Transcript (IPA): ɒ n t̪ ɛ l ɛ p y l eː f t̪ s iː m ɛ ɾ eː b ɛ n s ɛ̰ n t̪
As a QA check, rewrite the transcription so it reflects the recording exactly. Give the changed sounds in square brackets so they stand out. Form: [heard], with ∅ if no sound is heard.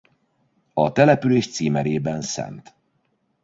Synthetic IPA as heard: ɒ [∅] t̪ ɛ l ɛ p y l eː [ʃ] t̪ s iː m ɛ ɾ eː b ɛ n s ɛ̰ n t̪